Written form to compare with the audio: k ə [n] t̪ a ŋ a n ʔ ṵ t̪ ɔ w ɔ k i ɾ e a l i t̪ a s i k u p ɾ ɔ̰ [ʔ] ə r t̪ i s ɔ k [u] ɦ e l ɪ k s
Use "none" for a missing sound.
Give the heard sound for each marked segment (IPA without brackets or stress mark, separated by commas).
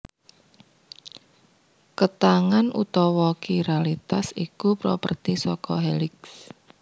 none, p, ɔ